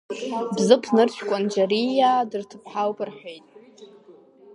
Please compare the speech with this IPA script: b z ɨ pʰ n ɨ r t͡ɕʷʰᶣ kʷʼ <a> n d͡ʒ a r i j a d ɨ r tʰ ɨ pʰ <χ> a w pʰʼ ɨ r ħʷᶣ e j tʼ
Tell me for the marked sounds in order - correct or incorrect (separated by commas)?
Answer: correct, incorrect